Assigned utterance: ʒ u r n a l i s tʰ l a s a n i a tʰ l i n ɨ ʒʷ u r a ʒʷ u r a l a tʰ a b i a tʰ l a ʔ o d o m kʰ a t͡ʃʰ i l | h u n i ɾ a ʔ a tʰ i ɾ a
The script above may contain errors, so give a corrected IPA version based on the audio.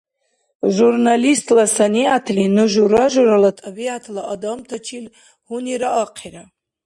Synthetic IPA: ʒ u r n a l i s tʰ l a s a n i a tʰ l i n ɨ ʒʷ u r a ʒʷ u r a l a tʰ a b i a tʰ l a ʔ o d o m tʰ a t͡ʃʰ i l | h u n i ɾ a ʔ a qʰ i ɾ a